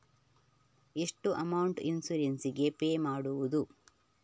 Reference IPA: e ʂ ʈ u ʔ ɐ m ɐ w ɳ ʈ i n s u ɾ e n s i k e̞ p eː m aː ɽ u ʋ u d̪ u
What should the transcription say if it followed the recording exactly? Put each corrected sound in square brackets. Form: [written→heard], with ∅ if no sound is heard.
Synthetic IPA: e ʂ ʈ u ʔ ɐ m ɐ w ɳ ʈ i n s u ɾ e n s i [k→ɡ] e̞ p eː m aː ɽ u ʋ u d̪ u